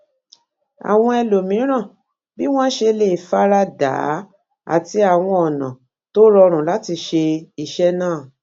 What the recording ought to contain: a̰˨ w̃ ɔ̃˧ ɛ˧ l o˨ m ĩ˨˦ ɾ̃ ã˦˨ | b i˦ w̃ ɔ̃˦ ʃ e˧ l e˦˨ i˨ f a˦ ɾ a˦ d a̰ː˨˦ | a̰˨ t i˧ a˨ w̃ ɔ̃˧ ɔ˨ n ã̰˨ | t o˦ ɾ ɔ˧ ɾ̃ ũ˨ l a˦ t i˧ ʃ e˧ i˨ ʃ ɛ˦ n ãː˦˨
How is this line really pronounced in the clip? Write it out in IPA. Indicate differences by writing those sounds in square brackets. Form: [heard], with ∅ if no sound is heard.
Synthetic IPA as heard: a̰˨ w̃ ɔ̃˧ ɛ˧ l o˨ m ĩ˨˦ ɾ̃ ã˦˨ | b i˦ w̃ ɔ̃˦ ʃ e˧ l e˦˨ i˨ f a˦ ɾ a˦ d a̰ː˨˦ | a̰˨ t i˧ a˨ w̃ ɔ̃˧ ɔ˨ n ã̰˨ | t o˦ ɾ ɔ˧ ɾ̃ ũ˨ l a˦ t i˧ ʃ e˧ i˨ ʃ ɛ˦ n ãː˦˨